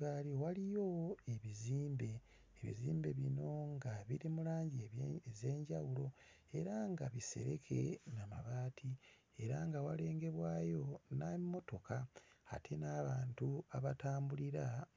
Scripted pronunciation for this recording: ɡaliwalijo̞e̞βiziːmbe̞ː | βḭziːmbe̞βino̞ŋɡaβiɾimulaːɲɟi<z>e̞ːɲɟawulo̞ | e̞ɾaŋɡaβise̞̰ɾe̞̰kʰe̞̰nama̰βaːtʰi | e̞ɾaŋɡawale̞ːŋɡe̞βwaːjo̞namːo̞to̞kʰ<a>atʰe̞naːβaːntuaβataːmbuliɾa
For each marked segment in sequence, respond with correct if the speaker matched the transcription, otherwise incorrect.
correct, correct

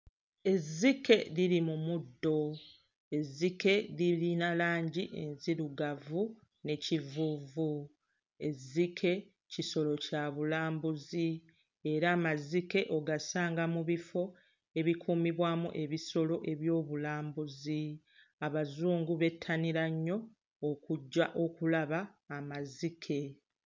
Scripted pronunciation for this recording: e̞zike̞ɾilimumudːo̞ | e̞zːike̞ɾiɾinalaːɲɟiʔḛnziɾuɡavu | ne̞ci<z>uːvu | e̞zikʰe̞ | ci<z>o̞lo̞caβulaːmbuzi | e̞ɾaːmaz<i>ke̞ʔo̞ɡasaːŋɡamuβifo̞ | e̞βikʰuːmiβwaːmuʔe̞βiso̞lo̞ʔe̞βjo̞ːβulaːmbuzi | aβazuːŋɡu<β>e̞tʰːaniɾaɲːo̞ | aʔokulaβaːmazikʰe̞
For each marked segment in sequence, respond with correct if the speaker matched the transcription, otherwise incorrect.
incorrect, incorrect, correct, correct

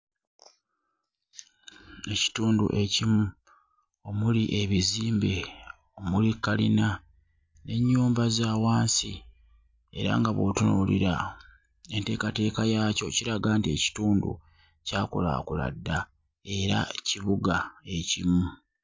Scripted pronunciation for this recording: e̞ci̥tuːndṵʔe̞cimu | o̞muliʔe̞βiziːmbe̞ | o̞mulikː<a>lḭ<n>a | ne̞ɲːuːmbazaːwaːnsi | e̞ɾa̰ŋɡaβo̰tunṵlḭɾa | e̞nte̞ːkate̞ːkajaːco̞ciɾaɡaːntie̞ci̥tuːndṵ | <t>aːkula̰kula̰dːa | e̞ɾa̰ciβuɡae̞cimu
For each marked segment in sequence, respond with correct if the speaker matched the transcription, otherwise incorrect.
correct, correct, incorrect

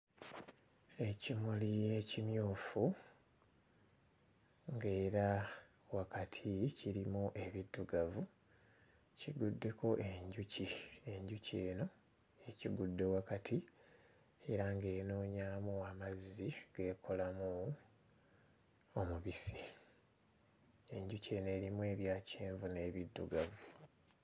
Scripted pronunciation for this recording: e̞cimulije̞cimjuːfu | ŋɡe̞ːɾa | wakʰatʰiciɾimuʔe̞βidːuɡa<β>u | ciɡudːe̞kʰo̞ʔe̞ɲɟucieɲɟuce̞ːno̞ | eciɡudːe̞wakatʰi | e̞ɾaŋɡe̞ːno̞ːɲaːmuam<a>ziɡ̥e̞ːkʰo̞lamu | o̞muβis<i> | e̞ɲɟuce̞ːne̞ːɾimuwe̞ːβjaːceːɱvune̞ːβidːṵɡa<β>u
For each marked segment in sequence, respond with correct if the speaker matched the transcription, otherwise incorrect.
incorrect, correct, correct, incorrect

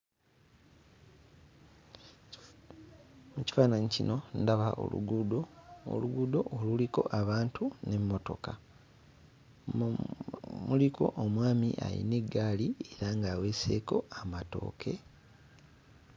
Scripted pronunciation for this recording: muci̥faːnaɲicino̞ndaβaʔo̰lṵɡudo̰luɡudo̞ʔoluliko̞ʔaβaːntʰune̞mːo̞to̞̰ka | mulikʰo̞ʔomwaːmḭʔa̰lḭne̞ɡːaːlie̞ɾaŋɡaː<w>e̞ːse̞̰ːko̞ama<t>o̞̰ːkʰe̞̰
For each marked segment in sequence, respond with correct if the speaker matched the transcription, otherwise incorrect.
correct, correct

